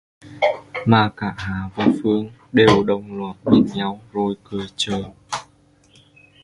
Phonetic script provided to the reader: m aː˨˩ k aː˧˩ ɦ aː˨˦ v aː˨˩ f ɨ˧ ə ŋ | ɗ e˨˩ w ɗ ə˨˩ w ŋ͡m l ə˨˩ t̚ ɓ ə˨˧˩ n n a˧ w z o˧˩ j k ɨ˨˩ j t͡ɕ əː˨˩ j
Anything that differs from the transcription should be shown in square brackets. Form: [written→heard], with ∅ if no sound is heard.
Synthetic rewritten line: m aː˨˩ k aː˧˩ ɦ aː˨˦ v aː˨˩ f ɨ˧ ə ŋ | ɗ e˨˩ w ɗ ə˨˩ w ŋ͡m l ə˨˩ t̚ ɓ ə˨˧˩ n [n→ɲ] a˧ w z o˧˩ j k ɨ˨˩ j t͡ɕ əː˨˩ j